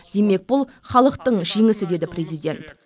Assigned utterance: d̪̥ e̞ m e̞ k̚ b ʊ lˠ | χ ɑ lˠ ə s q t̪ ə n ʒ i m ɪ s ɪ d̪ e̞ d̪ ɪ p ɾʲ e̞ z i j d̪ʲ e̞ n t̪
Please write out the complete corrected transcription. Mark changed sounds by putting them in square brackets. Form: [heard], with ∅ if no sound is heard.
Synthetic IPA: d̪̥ e̞ m e̞ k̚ b ʊ lˠ | χ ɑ lˠ ə [∅] q t̪ ə [ɴ] ʒ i [ŋ] ɪ s ɪ d̪ e̞ d̪ ɪ p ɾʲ e̞ z i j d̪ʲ e̞ n t̪